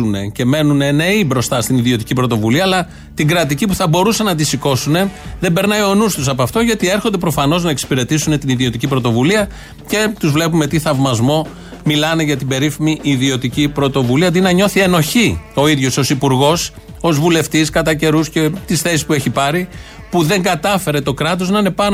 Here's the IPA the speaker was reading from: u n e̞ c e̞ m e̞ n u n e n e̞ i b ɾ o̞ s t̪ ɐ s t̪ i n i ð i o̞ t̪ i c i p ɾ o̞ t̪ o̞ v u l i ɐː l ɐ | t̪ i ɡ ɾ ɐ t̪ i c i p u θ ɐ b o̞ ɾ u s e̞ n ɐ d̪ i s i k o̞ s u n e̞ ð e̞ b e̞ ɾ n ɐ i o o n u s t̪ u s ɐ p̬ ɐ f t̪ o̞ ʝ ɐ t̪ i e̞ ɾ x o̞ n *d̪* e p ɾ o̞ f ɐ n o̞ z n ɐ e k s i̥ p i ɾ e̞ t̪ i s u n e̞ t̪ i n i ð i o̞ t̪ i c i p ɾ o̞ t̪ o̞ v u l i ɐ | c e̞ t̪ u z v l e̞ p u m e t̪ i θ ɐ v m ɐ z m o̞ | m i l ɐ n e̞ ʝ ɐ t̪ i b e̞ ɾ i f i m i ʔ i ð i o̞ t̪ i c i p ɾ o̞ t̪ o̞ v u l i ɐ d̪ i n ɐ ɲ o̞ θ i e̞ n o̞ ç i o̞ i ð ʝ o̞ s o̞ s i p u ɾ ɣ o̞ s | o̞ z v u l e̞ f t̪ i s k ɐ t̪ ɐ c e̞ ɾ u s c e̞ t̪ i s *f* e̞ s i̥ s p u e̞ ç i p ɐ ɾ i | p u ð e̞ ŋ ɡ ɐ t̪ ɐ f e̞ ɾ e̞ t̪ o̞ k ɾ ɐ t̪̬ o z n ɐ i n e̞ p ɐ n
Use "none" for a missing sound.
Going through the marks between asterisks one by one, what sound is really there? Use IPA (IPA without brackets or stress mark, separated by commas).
d̪, θ